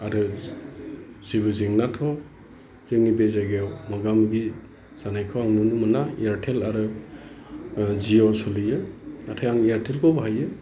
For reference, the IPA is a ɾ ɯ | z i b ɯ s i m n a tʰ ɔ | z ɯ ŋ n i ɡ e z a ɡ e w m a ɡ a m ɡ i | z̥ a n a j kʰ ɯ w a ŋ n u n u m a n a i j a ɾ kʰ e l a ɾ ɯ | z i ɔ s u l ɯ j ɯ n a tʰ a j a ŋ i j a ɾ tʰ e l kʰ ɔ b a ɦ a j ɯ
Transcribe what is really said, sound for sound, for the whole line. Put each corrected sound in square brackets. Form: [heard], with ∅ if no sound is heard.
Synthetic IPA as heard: a ɾ ɯ | z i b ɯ [z] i [ŋ] n a tʰ ɔ | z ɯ ŋ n i [b] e z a ɡ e w m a ɡ a m ɡ i | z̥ a n a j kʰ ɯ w a ŋ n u n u m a n a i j a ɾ [tʰ] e l a ɾ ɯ | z i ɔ s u l ɯ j ɯ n a tʰ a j a ŋ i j a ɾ tʰ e l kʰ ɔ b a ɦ a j ɯ

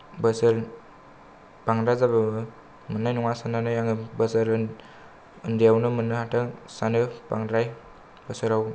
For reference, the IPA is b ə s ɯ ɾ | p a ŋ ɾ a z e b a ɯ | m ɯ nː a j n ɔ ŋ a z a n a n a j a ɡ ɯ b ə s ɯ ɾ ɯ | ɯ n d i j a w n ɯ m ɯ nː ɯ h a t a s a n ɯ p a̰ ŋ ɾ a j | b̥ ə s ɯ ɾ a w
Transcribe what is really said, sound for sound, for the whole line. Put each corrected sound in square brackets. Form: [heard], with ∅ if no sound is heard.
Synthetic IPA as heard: b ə s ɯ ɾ | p a ŋ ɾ a z [a] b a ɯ | m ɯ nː a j n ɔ ŋ a [s] a n a n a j a [ŋ] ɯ b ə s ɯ ɾ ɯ | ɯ n d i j a w n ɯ m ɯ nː ɯ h a t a s a n ɯ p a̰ ŋ ɾ a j | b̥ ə s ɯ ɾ a w

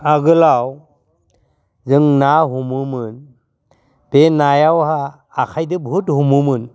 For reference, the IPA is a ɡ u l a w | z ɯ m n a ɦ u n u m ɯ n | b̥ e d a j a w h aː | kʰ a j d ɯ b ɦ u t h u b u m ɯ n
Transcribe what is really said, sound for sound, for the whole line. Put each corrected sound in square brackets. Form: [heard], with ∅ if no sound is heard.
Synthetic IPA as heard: a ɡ [ɯ] l a w | z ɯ [ŋ] n a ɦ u [m] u m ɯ n | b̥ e [n] a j a w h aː | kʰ a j d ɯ b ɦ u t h u [m] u m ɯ n

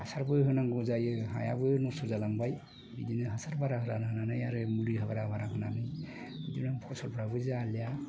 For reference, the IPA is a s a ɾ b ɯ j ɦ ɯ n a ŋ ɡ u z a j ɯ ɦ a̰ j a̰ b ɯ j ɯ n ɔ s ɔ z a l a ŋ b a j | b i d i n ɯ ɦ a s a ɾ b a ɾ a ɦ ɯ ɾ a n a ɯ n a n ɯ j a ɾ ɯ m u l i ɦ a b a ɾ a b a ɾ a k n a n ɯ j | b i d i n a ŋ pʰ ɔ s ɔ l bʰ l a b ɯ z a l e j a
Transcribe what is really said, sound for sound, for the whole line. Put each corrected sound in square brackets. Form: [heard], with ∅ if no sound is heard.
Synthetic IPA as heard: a s a ɾ b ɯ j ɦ ɯ n a ŋ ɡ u z a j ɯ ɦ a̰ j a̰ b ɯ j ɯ n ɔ s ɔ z a l a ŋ b a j | b i d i n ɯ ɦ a s a ɾ b a ɾ a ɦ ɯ ɾ a n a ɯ n a n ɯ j a ɾ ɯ m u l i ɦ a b a ɾ a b a ɾ a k n a n ɯ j | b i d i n a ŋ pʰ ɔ s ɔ l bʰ [ɾ] a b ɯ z a l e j a

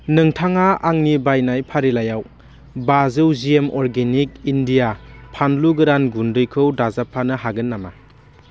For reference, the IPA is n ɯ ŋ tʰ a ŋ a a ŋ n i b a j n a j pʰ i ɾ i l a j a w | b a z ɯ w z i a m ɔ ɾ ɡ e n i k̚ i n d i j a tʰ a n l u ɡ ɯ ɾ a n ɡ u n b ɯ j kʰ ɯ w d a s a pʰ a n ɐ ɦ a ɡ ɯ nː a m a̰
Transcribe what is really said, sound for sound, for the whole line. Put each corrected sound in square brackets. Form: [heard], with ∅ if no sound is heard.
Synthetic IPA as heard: n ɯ ŋ tʰ a ŋ a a ŋ n i b a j n a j pʰ [a] ɾ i l a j a w | b a z ɯ w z i [e] m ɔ ɾ ɡ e n i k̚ i n d i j a [pʰ] a n l u ɡ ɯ ɾ a n ɡ u n [d] ɯ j kʰ ɯ w d a [z] a pʰ a n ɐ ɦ a ɡ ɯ nː a m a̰

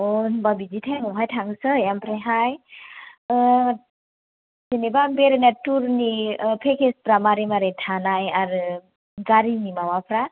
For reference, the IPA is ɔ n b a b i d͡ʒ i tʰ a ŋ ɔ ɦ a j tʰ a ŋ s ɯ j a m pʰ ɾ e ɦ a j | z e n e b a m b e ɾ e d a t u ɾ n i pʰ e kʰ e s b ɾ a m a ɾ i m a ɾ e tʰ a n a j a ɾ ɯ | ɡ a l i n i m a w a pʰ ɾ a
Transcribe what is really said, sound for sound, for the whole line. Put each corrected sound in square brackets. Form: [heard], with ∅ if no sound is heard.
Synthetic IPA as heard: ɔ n b a b i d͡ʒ i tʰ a ŋ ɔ ɦ a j tʰ a ŋ s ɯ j a m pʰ ɾ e ɦ a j | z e n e b a m b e ɾ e [n] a t u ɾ n i pʰ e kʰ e s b ɾ a m a ɾ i m a ɾ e tʰ a n a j a ɾ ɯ | ɡ a [ɾ] i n i m a w a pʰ ɾ a

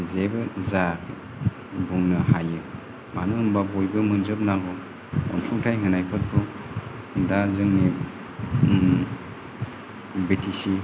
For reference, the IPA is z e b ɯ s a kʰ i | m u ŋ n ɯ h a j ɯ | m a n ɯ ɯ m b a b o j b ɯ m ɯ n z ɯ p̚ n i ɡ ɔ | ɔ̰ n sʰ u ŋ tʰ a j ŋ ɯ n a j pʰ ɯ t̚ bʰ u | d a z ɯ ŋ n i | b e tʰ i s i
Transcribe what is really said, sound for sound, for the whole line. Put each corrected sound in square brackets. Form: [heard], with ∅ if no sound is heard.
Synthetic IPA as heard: z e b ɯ [z] a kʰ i | [b] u ŋ n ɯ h a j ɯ | m a n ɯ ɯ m b a b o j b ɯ m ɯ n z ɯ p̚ n [a] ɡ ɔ | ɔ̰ n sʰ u ŋ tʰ a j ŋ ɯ n a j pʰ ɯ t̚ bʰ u | d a z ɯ ŋ n i | b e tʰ i s i

